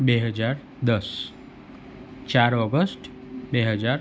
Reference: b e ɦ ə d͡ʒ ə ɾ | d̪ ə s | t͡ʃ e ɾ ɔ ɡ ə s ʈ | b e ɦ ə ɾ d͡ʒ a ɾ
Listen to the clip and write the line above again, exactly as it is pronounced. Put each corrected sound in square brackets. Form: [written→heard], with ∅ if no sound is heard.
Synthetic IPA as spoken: b e ɦ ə d͡ʒ [ə→a] ɾ | d̪ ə s | t͡ʃ [e→a] ɾ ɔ ɡ ə s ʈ | b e ɦ ə [ɾ→∅] d͡ʒ a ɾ

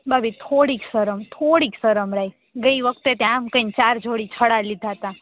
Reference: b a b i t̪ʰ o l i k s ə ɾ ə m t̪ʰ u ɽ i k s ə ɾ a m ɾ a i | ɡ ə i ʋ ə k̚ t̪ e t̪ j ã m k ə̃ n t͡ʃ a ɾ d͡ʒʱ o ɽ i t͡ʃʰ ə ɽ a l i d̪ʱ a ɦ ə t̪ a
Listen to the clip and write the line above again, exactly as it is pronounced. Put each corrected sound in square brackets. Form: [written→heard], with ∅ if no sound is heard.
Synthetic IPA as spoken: b a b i t̪ʰ o [l→ɽ] i k s ə ɾ ə m t̪ʰ [u→o] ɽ i k s ə ɾ [a→ə] m ɾ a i | ɡ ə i ʋ ə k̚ t̪ e t̪ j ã m k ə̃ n t͡ʃ a ɾ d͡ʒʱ o ɽ i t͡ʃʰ ə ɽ a l i d̪ʱ a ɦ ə t̪ a

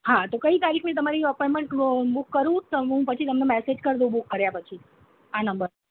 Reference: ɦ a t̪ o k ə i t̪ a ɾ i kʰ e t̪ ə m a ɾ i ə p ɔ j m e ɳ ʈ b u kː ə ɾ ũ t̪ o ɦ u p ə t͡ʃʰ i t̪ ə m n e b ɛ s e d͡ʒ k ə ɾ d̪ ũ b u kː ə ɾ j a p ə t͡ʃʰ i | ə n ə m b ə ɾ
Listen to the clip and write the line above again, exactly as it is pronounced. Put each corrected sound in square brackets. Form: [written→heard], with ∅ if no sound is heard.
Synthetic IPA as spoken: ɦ a t̪ o k ə i t̪ a ɾ i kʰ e t̪ ə m a ɾ i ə p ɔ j m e ɳ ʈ b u kː ə ɾ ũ t̪ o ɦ [u→ũ] p ə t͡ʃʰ i t̪ ə m n e [b→m] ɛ s e d͡ʒ k ə ɾ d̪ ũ b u kː ə ɾ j a p ə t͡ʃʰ i | [ə→a] n ə m b ə ɾ

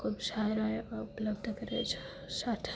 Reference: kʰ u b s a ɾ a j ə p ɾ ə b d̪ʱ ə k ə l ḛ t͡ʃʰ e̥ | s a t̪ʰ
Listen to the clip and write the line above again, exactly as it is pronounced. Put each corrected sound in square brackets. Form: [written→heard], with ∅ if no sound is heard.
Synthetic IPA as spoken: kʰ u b s a ɾ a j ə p [ɾ→l] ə b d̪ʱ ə k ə [l→ɾ] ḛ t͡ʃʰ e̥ | s a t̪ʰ

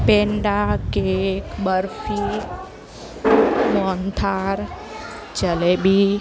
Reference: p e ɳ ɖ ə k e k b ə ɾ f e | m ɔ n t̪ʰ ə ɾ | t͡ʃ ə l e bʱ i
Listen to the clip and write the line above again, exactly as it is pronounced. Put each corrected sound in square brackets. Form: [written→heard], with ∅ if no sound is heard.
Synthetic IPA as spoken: p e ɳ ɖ [ə→a] k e k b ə ɾ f [e→i] | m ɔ n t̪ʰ [ə→a] ɾ | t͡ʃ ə l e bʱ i

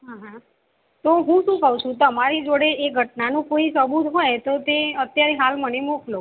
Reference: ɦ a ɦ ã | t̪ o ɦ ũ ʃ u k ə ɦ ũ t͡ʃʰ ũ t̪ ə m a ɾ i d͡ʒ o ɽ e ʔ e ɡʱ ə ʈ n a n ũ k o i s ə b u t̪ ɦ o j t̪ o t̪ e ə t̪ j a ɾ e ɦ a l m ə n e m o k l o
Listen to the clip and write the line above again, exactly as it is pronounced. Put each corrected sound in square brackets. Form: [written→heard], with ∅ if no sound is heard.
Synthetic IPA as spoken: ɦ a ɦ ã | t̪ o ɦ ũ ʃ [u→ũ] k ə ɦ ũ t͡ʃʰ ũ t̪ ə m a ɾ i d͡ʒ o ɽ e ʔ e ɡʱ ə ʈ n a n ũ k o i s ə b u t̪ ɦ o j t̪ o t̪ e ə t̪ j a ɾ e ɦ a l m ə n e m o k l o

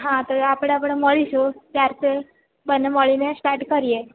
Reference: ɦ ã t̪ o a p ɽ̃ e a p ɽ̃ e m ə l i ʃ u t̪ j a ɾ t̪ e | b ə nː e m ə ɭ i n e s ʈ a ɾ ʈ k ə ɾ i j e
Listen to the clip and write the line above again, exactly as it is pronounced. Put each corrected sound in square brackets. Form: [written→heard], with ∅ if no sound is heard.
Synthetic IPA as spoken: ɦ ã t̪ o a p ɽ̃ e a p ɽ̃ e m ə [l→ɭ] i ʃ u t̪ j a ɾ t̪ e | b ə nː e m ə ɭ i n e s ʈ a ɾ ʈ k ə ɾ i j e

